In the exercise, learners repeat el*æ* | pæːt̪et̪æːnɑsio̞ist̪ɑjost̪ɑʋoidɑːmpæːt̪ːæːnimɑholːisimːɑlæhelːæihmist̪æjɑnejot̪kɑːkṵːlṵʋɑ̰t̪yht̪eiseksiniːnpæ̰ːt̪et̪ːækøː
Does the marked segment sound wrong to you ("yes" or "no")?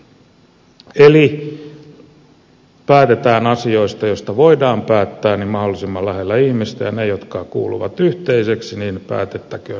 yes